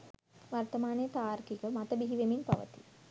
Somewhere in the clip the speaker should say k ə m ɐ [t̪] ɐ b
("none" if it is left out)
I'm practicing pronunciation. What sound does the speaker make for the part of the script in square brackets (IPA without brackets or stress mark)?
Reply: t̪